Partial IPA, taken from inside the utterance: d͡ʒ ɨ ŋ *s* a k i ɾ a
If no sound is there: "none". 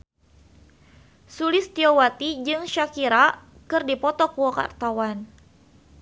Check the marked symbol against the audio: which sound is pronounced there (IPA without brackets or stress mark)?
ʃ